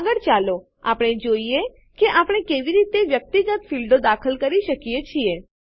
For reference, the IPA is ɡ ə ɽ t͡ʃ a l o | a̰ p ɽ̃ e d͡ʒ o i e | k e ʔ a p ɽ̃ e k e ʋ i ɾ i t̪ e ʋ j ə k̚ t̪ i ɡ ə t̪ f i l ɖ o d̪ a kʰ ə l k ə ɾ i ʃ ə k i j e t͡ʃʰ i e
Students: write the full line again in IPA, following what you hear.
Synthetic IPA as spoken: ɡ ə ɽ t͡ʃ a l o | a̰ p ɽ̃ e d͡ʒ o i e | k e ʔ a p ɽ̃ e k e ʋ i ɾ i t̪ e ʋ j ə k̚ t̪ i ɡ ə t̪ f i l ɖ o d̪ a kʰ ə l k ə ɾ i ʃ ə k i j e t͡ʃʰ i e